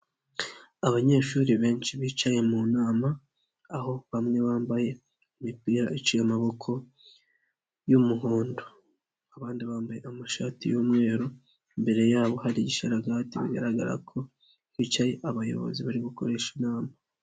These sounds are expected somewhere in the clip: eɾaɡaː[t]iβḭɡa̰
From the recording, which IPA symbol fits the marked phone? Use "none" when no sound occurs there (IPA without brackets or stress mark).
t